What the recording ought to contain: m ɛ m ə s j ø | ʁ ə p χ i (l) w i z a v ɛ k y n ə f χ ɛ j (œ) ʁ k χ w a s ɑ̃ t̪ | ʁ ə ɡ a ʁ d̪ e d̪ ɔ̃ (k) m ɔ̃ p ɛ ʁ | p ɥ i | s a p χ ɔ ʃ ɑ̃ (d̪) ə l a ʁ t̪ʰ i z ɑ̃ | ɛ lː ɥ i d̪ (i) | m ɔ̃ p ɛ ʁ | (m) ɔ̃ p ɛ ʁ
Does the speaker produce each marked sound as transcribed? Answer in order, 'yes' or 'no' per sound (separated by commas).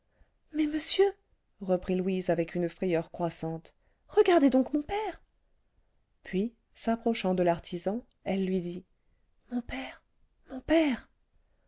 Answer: yes, yes, yes, yes, yes, yes